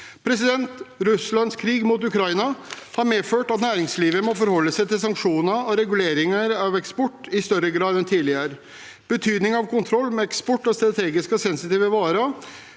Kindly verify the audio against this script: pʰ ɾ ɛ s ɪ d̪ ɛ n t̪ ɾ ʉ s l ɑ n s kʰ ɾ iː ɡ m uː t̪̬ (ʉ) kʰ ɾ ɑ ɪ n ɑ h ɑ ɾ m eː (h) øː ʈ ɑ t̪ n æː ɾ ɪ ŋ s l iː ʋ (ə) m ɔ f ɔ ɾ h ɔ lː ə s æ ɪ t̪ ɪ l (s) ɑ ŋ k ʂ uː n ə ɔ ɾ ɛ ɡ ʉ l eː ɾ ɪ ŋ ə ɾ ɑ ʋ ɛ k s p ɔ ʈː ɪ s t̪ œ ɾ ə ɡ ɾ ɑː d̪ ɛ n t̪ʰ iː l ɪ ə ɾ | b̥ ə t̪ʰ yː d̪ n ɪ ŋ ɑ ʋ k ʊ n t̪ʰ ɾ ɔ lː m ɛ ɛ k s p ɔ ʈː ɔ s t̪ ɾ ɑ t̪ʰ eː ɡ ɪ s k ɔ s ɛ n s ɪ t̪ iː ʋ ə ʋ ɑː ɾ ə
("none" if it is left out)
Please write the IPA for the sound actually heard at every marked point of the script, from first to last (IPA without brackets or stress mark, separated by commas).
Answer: ʉ, f, ə, s